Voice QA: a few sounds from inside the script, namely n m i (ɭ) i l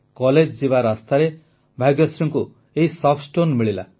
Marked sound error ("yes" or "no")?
no